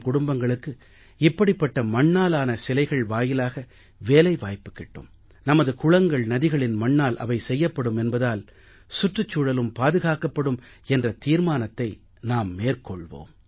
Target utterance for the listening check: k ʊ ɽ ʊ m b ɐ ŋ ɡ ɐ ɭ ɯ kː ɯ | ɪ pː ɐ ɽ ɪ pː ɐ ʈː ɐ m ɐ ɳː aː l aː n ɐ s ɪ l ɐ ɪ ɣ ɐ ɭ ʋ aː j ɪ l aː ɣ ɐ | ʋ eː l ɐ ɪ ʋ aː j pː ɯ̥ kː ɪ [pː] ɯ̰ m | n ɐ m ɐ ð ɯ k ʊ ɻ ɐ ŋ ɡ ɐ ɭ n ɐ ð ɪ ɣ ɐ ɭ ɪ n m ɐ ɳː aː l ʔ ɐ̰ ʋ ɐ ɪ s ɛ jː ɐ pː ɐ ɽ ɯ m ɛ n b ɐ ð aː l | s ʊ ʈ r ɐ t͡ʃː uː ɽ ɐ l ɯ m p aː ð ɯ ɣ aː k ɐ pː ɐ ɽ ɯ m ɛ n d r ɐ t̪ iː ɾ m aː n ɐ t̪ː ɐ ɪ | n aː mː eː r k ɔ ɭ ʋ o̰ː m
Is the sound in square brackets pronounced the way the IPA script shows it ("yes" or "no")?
no